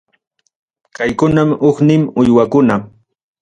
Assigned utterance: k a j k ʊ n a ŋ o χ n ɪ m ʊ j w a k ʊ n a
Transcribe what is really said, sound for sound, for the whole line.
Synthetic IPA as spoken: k a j k ʊ n a m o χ n ɪ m ʊ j w a k ʊ n a